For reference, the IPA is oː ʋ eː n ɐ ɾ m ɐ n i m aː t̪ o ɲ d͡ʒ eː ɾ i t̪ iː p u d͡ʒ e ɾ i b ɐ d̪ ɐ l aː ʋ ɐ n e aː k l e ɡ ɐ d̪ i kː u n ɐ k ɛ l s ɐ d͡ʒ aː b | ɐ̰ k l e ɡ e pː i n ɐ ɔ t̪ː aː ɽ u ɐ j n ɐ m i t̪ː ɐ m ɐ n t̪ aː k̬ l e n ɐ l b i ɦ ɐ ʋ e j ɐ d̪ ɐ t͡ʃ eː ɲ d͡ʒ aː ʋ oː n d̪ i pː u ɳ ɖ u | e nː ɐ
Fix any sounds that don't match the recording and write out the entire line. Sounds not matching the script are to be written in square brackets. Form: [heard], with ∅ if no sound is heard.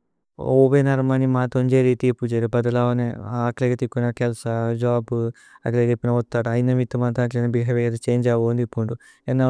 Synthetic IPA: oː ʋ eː n ɐ ɾ m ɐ n i m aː t̪ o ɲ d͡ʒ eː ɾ i t̪ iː p u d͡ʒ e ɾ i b ɐ d̪ ɐ l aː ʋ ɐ n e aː k l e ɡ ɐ [t̪] i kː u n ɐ k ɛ l s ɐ d͡ʒ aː b | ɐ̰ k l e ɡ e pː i n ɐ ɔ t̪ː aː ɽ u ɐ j n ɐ m i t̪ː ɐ m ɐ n t̪ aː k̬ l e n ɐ [∅] b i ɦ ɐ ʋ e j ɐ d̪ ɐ t͡ʃ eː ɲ d͡ʒ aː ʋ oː n d̪ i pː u ɳ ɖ u | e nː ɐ